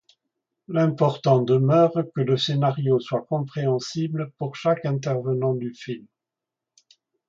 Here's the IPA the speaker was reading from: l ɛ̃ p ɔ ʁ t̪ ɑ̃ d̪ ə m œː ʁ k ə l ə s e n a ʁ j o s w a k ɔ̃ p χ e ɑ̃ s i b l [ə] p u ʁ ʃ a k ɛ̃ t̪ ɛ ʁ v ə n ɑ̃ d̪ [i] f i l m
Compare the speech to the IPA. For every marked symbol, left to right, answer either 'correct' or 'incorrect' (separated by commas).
correct, incorrect